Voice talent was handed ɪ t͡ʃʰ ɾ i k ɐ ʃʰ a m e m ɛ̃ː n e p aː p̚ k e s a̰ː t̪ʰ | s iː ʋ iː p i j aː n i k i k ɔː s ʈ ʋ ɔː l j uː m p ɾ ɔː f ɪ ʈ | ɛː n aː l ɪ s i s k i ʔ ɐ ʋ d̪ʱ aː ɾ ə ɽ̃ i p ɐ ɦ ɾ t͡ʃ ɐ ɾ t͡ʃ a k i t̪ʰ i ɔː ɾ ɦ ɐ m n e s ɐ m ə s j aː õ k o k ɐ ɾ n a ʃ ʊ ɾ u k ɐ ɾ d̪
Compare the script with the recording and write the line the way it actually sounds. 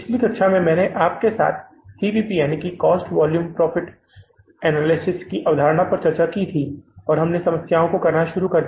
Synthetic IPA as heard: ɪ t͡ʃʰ l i k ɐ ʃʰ a m ẽ m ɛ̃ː n e ʔ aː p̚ k e s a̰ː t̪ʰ | s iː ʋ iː p i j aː n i k i k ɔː s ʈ ʋ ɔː l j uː m p ɾ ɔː f ɪ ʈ | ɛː n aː l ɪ s ɪ s k i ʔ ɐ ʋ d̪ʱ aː ɾ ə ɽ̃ a p ɐ ɾ t͡ʃ ɐ ɾ t͡ʃ a k i t̪ʰ i ɔː ɾ ɦ ɐ m n e s ɐ m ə s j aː õ k o k ɐ ɾ n a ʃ ʊ ɾ u k ɐ ɾ d̪